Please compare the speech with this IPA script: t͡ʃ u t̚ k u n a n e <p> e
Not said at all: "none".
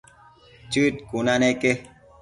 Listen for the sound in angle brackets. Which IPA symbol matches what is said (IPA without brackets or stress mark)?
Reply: k